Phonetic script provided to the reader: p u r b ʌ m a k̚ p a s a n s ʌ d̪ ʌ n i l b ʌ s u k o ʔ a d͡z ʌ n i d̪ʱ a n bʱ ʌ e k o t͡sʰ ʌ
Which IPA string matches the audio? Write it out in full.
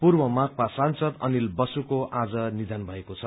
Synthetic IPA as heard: p u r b ʌ m a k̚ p a s a n s ʌ d̪ ʌ n i l b ʌ s u k o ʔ a d͡z ʌ n i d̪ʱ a n bʱ ʌ e k o t͡sʰ ʌ